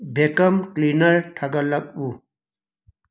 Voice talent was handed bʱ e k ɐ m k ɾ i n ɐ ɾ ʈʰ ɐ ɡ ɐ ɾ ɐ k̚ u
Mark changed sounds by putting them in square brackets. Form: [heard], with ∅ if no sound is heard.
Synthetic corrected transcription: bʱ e k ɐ m k [l] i n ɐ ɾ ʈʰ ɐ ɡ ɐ [l] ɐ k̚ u